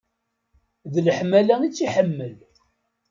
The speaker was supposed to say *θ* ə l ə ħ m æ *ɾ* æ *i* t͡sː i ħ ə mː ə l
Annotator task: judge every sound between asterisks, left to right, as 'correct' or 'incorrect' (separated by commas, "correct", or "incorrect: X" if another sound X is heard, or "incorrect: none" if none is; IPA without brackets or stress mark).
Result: incorrect: ð, incorrect: l, correct